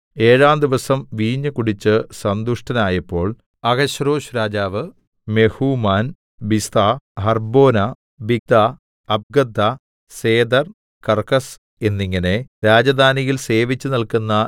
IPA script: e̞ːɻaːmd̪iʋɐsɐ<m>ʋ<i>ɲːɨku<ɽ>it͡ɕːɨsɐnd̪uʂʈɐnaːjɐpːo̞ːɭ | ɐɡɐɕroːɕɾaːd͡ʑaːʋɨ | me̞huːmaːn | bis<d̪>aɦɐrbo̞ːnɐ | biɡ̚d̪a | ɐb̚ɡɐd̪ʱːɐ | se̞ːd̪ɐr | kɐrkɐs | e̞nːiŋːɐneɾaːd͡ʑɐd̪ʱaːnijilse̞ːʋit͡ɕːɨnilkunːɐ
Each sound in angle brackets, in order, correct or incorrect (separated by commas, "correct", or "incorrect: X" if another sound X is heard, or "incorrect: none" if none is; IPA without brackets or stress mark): correct, incorrect: iː, correct, incorrect: t̪